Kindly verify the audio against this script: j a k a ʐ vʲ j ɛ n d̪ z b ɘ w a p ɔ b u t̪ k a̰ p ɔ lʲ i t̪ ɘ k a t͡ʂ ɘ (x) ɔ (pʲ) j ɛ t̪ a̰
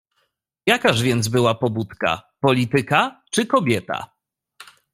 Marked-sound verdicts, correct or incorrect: incorrect: k, incorrect: bʲ

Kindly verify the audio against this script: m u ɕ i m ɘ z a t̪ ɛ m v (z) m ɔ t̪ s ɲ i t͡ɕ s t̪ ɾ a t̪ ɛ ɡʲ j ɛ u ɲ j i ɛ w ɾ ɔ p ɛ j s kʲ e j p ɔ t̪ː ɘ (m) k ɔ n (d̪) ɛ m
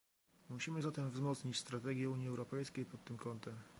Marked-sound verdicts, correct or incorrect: correct, correct, incorrect: t̪

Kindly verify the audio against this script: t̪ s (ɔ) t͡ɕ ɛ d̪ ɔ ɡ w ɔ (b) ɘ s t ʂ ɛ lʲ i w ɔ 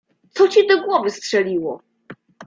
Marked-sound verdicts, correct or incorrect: correct, incorrect: v

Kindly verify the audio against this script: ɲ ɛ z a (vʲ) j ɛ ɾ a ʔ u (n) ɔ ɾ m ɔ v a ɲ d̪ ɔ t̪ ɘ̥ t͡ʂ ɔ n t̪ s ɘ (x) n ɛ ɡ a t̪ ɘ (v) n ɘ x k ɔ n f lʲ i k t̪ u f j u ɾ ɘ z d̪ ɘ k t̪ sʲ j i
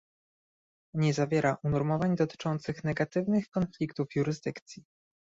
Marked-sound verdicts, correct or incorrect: correct, correct, correct, correct

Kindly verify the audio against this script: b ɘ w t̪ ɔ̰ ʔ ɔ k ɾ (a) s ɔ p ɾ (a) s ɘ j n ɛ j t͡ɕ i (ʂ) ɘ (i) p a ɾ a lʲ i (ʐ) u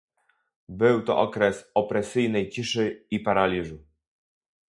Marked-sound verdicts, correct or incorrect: incorrect: ɛ, incorrect: ɛ, correct, correct, correct

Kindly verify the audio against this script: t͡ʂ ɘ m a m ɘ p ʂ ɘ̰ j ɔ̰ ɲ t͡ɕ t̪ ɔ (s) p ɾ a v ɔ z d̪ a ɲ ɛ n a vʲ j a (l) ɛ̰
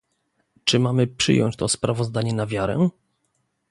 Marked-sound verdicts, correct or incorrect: correct, incorrect: ɾ

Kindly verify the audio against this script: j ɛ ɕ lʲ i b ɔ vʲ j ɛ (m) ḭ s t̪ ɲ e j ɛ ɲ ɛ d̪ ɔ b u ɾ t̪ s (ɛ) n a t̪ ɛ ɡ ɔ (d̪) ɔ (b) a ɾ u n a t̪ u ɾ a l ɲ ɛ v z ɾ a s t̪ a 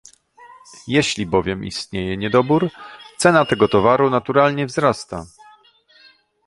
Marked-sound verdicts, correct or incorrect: correct, correct, incorrect: t̪, incorrect: v

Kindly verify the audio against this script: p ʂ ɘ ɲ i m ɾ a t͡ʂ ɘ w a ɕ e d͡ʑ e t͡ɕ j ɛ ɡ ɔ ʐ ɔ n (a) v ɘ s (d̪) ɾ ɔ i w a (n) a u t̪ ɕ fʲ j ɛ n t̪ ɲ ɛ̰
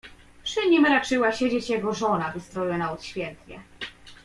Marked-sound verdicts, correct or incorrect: correct, incorrect: t̪, correct

